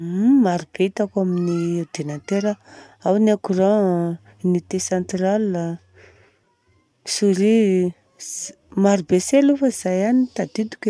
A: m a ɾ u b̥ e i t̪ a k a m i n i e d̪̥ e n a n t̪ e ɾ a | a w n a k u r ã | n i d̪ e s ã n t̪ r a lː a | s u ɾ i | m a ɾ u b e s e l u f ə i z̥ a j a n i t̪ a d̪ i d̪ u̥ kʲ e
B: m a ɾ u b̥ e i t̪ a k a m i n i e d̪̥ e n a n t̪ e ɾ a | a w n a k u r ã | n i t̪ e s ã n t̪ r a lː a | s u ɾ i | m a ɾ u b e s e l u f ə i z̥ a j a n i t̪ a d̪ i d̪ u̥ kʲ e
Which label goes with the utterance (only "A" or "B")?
B